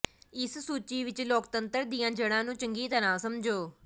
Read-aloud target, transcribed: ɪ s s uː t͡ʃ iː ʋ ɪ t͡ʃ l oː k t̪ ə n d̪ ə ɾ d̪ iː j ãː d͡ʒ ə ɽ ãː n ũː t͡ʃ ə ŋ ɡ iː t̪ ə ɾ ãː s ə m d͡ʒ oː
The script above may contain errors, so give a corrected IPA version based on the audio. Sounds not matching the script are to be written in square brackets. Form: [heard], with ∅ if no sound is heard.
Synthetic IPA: ɪ s s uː t͡ʃ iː ʋ ɪ t͡ʃ l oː k t̪ ə n [t̪] ə ɾ d̪ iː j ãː d͡ʒ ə ɽ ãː n ũː t͡ʃ ə ŋ ɡ iː t̪ ə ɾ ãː s ə m d͡ʒ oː